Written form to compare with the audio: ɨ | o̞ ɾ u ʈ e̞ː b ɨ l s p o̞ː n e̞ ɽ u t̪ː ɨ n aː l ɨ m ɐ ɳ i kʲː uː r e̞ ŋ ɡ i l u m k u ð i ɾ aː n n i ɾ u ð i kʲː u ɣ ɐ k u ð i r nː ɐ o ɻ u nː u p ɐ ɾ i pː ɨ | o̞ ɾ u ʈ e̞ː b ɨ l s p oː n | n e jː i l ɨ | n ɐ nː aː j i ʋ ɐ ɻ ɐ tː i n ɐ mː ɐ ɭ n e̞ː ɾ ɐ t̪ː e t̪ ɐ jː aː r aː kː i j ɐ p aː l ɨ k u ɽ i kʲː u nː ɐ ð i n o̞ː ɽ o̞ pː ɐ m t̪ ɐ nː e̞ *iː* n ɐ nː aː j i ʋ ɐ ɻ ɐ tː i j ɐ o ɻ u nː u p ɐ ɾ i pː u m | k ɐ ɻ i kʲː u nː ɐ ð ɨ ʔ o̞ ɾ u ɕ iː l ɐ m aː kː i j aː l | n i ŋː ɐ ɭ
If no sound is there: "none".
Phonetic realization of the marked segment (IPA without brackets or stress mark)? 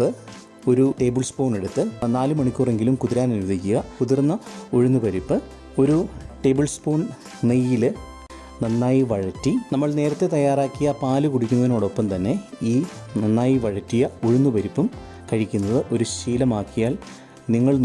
iː